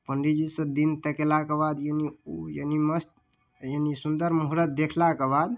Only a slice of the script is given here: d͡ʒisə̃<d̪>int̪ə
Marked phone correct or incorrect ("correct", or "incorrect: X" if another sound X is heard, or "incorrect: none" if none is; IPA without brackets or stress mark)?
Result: correct